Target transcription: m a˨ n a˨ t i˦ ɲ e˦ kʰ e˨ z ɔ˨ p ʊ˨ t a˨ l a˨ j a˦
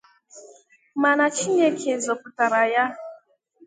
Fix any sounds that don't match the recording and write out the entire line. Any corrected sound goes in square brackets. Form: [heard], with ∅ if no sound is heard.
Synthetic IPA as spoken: m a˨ n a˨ [t͡ʃ] i˦ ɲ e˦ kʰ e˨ z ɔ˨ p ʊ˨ t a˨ [ɾ] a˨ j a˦